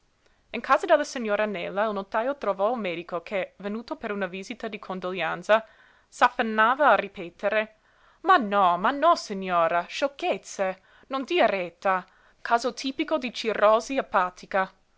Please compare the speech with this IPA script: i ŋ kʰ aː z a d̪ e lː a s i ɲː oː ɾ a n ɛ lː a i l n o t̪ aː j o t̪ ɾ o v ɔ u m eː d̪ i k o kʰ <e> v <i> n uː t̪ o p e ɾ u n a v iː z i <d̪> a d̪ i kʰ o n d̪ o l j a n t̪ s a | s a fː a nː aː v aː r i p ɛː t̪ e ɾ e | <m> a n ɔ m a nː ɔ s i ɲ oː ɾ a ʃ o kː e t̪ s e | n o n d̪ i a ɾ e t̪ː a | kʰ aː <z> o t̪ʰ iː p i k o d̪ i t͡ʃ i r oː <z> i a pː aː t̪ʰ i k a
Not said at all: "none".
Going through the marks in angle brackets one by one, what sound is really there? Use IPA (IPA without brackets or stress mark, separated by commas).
e, e, t̪, m, z, z